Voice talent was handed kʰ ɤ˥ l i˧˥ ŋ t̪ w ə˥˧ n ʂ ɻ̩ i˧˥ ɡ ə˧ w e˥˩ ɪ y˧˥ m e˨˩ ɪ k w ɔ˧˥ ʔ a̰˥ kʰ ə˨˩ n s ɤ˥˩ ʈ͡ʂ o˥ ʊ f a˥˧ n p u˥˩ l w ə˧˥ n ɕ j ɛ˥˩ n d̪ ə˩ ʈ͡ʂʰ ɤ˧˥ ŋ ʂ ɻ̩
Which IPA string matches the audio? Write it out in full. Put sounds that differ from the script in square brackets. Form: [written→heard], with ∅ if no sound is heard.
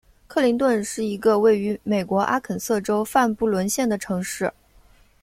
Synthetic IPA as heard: kʰ [ɤ˥→ɤ˥˩] l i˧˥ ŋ t̪ w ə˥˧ n ʂ ɻ̩ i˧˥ ɡ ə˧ w e˥˩ ɪ y˧˥ m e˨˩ ɪ k w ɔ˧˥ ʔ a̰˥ kʰ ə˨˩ n s ɤ˥˩ ʈ͡ʂ o˥ ʊ f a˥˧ n p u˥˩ l w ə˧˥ n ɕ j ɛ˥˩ n d̪ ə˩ ʈ͡ʂʰ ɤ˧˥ ŋ ʂ ɻ̩